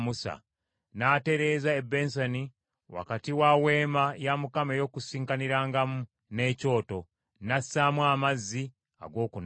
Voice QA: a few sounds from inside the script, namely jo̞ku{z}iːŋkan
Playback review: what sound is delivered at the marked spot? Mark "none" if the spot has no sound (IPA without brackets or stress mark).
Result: s